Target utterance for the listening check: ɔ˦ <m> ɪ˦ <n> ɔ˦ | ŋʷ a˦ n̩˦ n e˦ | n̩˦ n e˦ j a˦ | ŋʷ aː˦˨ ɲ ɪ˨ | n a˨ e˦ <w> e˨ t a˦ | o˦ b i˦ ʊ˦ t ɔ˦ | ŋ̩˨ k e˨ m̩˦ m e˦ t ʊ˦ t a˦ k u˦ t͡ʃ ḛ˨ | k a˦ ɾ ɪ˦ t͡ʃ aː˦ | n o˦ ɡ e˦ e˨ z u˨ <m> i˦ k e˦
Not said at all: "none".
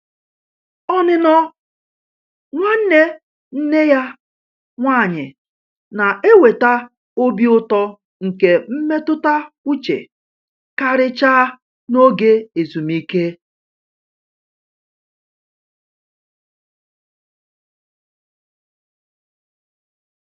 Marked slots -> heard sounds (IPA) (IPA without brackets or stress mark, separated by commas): n, n, w, m